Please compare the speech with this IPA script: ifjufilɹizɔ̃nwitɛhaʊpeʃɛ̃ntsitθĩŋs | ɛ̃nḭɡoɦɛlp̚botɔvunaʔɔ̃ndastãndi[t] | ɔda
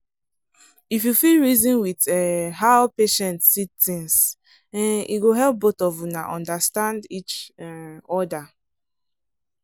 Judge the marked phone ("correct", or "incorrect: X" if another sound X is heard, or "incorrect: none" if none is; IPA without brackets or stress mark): incorrect: t͡ʃ